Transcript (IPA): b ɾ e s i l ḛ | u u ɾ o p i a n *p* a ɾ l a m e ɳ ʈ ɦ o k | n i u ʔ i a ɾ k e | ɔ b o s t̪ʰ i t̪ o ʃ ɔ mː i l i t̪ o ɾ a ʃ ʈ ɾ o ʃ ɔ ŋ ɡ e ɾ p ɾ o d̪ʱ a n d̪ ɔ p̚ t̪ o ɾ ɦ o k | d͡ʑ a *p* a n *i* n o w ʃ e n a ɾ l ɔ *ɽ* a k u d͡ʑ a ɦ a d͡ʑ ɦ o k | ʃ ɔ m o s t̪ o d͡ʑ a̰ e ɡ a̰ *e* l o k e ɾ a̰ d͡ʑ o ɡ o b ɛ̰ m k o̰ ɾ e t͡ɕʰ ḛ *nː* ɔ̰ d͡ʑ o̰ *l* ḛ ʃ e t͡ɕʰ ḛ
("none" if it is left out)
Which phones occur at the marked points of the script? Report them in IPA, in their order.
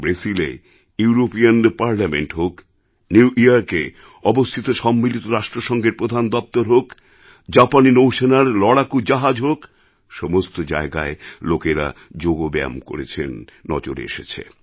p, p, i, ɽ, e, nː, ɾ

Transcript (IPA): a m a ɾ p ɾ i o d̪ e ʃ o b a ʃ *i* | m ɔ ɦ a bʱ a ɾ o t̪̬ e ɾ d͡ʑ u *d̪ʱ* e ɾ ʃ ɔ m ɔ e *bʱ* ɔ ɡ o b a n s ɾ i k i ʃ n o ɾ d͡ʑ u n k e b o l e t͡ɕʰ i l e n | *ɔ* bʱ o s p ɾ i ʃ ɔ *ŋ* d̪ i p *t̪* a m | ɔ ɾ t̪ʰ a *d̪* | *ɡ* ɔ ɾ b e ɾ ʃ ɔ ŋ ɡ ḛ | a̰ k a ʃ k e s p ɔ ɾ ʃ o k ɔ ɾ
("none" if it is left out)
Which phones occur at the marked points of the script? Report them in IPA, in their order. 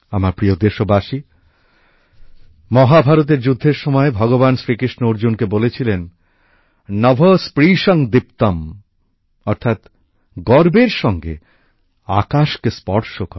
i, d̪ʱː, bʱ, ɔ, ŋ, t̪, t̪, ɡ

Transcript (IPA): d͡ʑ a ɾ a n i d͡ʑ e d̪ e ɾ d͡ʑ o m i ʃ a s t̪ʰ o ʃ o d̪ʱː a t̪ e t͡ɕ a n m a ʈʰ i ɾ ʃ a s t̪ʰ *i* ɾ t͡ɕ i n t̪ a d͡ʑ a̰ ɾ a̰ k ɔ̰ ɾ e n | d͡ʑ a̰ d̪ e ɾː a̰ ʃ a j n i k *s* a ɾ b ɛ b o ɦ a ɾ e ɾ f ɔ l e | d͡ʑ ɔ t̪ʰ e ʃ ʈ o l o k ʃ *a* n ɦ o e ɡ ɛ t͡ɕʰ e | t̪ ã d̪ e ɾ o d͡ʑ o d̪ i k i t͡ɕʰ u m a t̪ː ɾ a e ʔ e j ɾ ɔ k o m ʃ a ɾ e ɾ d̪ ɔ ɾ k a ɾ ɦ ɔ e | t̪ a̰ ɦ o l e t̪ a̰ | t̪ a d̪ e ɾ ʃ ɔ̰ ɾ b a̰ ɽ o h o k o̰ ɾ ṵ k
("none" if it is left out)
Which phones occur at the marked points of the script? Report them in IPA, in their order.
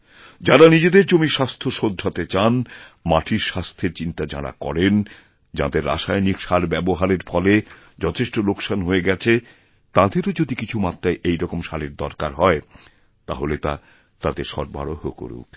e, ʃ, a

